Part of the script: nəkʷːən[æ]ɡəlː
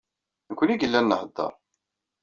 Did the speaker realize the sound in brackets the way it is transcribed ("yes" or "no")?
no